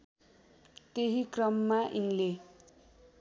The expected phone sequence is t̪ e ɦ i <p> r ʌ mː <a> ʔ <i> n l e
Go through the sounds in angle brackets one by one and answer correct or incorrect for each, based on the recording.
incorrect, correct, correct

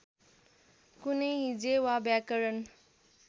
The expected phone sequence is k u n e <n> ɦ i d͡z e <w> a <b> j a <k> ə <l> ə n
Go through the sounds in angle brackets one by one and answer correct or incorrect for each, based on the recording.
incorrect, correct, correct, correct, incorrect

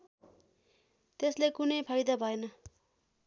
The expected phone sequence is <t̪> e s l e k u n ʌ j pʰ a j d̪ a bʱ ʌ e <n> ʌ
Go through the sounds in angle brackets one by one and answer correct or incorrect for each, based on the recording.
correct, correct

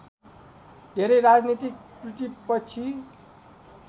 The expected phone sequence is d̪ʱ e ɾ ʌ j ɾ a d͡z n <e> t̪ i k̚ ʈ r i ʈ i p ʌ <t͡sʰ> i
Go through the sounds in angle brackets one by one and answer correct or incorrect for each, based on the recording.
incorrect, correct

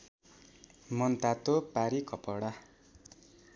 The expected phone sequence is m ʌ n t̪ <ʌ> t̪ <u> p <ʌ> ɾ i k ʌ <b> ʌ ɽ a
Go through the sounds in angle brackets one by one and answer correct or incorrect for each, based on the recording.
incorrect, incorrect, incorrect, incorrect

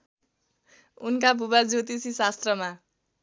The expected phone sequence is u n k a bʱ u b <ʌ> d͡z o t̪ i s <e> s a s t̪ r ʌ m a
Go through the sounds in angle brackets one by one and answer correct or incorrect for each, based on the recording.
incorrect, incorrect

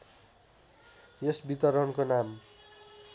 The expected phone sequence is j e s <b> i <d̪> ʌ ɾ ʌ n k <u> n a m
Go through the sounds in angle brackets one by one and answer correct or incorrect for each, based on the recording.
correct, incorrect, incorrect

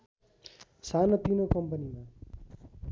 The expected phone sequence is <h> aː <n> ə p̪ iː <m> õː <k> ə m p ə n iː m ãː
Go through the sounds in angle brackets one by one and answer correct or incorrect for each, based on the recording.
incorrect, correct, incorrect, correct

